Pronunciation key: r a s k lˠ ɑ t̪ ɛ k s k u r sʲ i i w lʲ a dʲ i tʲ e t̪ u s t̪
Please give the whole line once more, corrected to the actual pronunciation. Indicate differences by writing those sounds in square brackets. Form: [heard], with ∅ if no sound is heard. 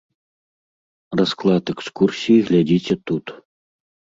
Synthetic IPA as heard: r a s k lˠ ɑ t̪ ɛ k s k u r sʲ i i [ɣ] lʲ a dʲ i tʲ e t̪ u [∅] t̪